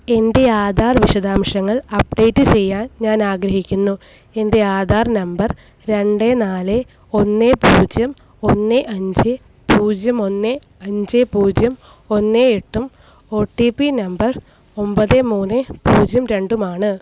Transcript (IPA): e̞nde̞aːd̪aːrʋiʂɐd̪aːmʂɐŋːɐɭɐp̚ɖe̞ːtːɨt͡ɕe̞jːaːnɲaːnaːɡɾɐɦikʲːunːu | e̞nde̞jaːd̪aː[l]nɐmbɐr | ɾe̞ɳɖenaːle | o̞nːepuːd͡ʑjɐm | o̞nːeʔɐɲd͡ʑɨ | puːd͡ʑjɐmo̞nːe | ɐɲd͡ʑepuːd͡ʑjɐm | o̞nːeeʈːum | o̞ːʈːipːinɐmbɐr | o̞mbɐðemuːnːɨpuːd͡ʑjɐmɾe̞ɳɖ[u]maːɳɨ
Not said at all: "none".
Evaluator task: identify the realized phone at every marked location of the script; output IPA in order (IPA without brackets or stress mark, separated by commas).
r, u